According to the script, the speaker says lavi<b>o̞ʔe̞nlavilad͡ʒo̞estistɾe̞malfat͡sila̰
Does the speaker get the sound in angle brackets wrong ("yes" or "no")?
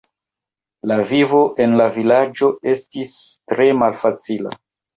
yes